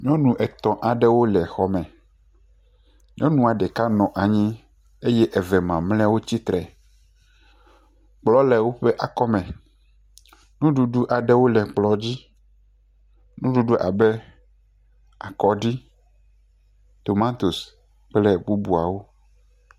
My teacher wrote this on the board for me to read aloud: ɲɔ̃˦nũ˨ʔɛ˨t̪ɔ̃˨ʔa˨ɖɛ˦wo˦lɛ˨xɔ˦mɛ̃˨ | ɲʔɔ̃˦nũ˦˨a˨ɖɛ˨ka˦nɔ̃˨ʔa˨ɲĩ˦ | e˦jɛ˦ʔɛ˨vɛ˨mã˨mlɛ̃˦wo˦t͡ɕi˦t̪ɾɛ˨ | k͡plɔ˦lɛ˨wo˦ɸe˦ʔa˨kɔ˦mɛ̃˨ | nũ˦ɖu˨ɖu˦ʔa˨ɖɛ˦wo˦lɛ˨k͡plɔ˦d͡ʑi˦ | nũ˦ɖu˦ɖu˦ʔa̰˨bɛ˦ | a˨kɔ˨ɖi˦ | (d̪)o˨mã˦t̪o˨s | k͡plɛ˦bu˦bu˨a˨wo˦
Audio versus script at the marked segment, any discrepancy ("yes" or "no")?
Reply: yes